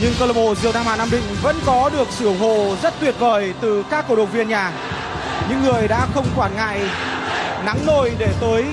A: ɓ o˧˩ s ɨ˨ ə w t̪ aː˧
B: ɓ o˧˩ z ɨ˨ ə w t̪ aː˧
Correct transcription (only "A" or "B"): B